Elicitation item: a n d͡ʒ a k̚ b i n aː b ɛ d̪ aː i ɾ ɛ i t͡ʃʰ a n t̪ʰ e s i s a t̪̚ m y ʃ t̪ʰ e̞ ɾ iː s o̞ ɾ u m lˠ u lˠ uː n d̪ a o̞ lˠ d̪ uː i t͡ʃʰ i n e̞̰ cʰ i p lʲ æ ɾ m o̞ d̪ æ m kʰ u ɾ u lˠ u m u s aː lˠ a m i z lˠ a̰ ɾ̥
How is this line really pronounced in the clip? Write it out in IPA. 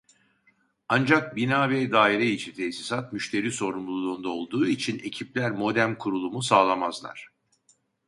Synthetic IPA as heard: a n d͡ʒ a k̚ b i n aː v ɛ d̪ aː i ɾ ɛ i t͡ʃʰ i n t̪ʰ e s i s a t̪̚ m y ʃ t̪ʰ e̞ ɾ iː s o̞ ɾ u m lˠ u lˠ uː n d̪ a o̞ lˠ d̪ uː i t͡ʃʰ i n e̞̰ cʰ i p lʲ æ ɾ m o̞ d̪ æ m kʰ u ɾ u lˠ u m u s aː lˠ a m a z lˠ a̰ ɾ̥